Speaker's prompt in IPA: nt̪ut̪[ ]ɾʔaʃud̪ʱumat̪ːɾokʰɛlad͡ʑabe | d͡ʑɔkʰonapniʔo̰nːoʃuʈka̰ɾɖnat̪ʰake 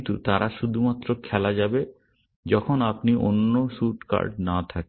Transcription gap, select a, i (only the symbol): a